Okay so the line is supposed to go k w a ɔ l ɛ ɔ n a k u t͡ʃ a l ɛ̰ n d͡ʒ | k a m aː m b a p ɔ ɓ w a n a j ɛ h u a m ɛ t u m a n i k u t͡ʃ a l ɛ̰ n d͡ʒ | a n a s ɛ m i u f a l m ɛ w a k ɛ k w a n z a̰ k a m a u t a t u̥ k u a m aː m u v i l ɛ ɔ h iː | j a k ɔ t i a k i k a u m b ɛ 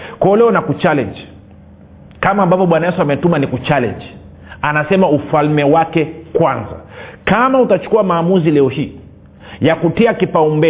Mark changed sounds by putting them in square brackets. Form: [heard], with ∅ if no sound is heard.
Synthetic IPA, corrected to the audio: k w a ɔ l ɛ ɔ n a k u t͡ʃ a l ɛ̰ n d͡ʒ | k a m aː m b a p ɔ ɓ w a n a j ɛ [s] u a m ɛ t u m a n i k u t͡ʃ a l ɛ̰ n d͡ʒ | a n a s ɛ m [a] u f a l m ɛ w a k ɛ k w a n z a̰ k a m a u t a [t͡ʃ] u̥ k u a m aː m u [z] i l ɛ ɔ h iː | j a k [u] t i a k i [p] a u m b ɛ